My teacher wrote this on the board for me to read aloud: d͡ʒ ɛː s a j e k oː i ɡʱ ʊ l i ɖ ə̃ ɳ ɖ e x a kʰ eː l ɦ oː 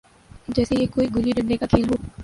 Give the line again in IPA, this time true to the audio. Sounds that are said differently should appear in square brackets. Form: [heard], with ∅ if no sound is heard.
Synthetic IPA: d͡ʒ ɛː s [e] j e k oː i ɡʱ ʊ l i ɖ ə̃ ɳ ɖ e [k] a kʰ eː l ɦ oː